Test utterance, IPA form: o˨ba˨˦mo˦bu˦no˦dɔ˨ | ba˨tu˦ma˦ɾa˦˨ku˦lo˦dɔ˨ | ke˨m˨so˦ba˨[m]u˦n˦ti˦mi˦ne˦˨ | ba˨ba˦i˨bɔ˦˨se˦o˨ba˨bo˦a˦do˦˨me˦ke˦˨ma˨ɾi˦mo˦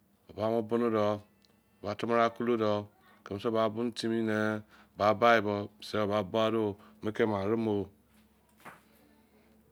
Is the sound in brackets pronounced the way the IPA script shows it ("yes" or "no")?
no